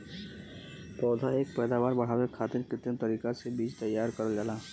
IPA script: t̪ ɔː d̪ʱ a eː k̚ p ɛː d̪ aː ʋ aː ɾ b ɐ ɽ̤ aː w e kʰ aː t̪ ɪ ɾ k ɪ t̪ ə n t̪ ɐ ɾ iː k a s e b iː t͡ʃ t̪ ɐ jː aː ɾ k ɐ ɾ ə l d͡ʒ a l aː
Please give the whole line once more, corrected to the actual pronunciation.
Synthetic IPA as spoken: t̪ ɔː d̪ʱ a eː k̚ p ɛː d̪ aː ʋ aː ɾ b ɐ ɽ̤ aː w e kʰ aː t̪ ɪ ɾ k ɪ t̪ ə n t̪ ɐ ɾ iː k a s e b iː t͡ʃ t̪ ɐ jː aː ɾ k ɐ ɾ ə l d͡ʒ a l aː

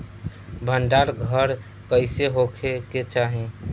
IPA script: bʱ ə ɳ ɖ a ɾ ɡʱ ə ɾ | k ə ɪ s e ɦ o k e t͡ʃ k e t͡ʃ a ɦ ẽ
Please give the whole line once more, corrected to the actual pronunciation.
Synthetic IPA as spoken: bʱ ə ɳ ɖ a ɾ ɡʱ ə ɾ | k ə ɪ s e ɦ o kʰ e k e t͡ʃ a ɦ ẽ

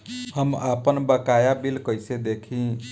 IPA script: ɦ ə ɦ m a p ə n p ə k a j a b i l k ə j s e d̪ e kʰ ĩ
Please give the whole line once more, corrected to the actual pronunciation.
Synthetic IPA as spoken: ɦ ə m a p ə n b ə k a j a b i l k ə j s e d̪ e kʰ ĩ

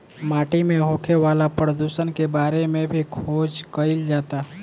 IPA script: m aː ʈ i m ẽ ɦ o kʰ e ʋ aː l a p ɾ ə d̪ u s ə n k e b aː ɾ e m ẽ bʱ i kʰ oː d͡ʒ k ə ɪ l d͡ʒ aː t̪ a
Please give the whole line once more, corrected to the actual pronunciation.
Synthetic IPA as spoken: m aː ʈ i m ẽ ɦ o kʰ e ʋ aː l a p ɾ ə d̪ u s ə n k e b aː ɾ e m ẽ bʱ i kʰ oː d͡ʒ k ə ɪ l d͡ʒ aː t̪ a

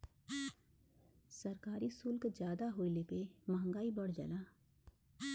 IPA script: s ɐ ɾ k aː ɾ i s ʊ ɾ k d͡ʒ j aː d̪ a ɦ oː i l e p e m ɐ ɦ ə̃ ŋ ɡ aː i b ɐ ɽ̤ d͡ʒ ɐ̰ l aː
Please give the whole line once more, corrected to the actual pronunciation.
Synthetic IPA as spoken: s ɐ ɾ k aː ɾ i s ʊ l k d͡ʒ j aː d̪ a ɦ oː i l e p e m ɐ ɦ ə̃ ŋ ɡ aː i b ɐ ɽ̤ d͡ʒ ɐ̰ l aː

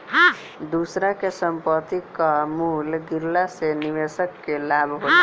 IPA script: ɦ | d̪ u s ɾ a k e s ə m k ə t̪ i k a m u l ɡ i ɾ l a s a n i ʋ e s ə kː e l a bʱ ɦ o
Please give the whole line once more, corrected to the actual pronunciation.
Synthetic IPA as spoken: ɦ | d̪ u s ɾ a k e s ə m p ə t̪ i k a m u l ɡ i ɾ l a s e n i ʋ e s ə kː e l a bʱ ɦ o

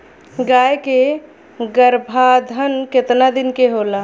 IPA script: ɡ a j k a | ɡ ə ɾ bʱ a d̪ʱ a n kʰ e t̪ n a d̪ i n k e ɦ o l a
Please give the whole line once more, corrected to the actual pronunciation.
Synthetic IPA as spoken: ɡ a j k e | ɡ ə ɾ bʱ a d̪ʱ ə n k e t̪ n a d̪ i n k e ɦ o l a

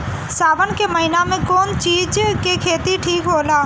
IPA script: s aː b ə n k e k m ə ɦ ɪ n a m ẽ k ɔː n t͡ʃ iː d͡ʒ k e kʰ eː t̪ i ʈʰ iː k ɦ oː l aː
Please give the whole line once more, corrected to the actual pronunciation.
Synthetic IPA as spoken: s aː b ə n k e m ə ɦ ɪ n a m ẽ k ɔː n t͡ʃ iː d͡ʒ k e kʰ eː t̪ i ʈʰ iː k ɦ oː l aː

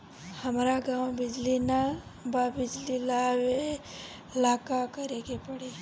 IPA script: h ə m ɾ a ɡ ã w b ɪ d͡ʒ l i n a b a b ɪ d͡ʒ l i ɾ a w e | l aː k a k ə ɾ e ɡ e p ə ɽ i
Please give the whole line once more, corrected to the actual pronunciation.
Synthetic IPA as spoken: h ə m ɾ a ɡ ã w b ɪ d͡ʒ l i n a b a b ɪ d͡ʒ l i l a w e | l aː k a k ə ɾ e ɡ e p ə ɽ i

